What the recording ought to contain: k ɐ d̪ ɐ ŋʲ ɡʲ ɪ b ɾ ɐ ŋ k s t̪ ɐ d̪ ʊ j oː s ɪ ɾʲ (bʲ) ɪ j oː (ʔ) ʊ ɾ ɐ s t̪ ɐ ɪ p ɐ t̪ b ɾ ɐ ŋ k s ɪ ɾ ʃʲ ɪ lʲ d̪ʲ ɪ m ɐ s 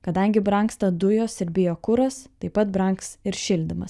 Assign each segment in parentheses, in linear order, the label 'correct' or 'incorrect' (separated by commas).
correct, incorrect